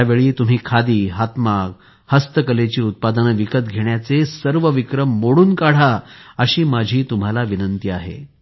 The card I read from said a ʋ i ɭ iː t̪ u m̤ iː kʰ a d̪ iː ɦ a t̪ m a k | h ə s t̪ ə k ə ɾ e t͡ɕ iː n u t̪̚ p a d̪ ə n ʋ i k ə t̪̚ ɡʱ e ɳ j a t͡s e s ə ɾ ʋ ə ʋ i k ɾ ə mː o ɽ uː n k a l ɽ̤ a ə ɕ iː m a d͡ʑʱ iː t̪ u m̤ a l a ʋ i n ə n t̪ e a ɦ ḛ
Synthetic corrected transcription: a ʋ e ɭ iː t̪ u m̤ iː kʰ a d̪ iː ɦ a t̪ m a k | h ə s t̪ ə k ə l e t͡ɕ iː u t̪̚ p a d̪ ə n ʋ i k ə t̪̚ ɡʱ e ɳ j a t͡s e s ə ɾ ʋ ə ʋ i k ɾ ə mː o ɽ uː n k a ɽ̤ a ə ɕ iː m a d͡ʑʱ iː t̪ u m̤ a l a ʋ i n ə n t̪ i a ɦ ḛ

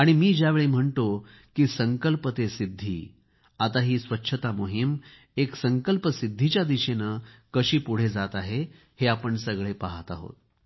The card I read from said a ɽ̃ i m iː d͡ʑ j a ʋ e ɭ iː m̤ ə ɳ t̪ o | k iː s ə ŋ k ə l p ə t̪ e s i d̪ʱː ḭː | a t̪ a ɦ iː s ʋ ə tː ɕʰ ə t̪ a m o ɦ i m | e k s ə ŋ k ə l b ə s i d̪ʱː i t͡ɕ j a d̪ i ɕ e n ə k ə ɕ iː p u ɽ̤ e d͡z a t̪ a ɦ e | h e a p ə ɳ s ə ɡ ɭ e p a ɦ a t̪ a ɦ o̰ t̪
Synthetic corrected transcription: a ɽ̃ i m iː d͡ʑ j a ʋ e ɭ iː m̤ ə ɳ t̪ o | k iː s ə ŋ k ə l p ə t̪ e s i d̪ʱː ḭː | a t̪ a ɦ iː s ʋ ə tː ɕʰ ə t̪ a m o ɦ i m | e k s ə ŋ k ə l p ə s i d̪ʱː i t͡ɕ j a d̪ i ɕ e n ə k ə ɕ iː p u ɽ̤ e d͡z a t̪ a ɦ e | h e a p ə ɳ s ə ɡ ɭ e p a ɦ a t̪ a ɦ o̰ t̪

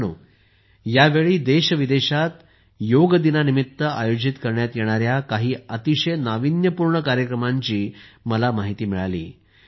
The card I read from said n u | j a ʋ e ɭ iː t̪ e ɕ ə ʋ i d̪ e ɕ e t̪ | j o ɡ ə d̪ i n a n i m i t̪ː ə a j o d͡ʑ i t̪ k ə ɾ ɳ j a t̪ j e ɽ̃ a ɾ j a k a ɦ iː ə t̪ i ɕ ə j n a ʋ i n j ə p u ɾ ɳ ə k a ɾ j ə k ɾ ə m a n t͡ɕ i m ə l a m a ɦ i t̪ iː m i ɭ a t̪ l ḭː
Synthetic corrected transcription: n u | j a ʋ e ɭ iː d̪ e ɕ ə ʋ i d̪ e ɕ a t̪ | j o ɡ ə d̪ i n a n i m i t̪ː ə a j o d͡ʑ i t̪ k ə ɾ ɳ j a t̪ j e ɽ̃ a ɾ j a k a ɦ iː ə t̪ i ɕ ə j n a ʋ i n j ə p u ɾ ɳ ə k a ɾ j ə k ɾ ə m a ɲ t͡ɕ iː m ə l a m a ɦ i t̪ iː m i ɭ a l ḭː

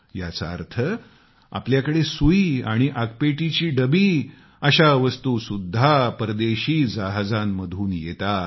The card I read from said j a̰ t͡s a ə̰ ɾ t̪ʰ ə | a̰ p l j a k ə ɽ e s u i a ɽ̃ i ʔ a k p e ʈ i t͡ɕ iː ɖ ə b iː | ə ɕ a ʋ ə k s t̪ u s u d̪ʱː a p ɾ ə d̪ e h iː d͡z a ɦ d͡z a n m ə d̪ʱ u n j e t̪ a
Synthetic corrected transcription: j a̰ t͡s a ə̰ ɾ t̪ʰ ə | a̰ p l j a k ə ɽ e s u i a ɽ̃ i ʔ a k p e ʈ i t͡ɕ iː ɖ ə b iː | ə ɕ a ʋ ə s t̪ u s u d̪ʱː a p ɾ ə d̪ e ɕ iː d͡z a ɦ d͡z a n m ə d̪ʱ uː n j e t̪ a

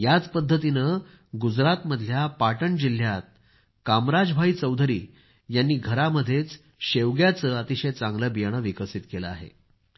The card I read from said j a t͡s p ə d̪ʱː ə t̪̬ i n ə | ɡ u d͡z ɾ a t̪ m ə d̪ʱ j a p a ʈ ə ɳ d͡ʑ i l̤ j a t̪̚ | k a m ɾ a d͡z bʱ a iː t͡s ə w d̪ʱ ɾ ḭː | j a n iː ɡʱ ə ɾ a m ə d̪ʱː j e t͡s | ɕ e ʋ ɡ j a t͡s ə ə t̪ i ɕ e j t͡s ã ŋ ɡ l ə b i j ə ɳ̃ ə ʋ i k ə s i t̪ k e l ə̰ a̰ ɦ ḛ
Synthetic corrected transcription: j a t͡s p ə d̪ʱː ə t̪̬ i n ə | ɡ u d͡z ɾ a t̪ m ə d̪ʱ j a p a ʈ ə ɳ d͡ʑ i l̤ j a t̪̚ | k a m ɾ a d͡z bʱ a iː t͡s ə w d̪ʱ ɾ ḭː | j a nː iː ɡʱ ə ɾ a m ə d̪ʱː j e t͡s | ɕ e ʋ ɡ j a t͡s ə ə t̪ i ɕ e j t͡s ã ŋ ɡ l ə b i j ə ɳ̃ ə ʋ i k ə s i t̪ k e l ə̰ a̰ ɦ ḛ

